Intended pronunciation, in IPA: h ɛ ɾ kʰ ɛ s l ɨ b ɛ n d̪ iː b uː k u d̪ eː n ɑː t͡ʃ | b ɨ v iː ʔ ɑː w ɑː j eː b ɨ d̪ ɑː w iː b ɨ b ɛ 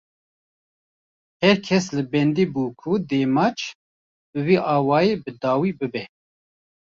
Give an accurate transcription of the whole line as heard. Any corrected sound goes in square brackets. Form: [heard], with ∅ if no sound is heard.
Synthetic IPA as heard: h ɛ ɾ kʰ ɛ s l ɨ b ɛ n d̪ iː b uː [kʰ] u d̪ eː [m] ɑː t͡ʃ | b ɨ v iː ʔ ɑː w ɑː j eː b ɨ d̪ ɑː w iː b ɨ b ɛ